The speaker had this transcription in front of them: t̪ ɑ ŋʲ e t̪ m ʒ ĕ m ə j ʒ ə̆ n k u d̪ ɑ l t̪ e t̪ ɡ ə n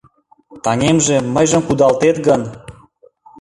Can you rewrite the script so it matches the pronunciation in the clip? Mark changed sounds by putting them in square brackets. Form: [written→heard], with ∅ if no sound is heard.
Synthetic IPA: t̪ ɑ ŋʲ e [t̪→∅] m ʒ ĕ m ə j ʒ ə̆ [n→m] k u d̪ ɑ l t̪ e t̪ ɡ ə n